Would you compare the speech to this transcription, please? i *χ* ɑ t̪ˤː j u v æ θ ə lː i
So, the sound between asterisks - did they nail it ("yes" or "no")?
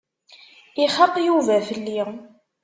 yes